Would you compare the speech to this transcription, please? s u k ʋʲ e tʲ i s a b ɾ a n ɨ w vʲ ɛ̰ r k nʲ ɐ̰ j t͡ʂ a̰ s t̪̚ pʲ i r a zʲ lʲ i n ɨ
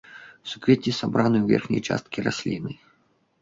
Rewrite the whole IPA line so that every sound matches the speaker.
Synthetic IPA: s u k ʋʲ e tʲ i s a b ɾ a n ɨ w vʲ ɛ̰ r x nʲ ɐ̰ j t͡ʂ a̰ s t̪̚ kʲ i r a sʲ lʲ i n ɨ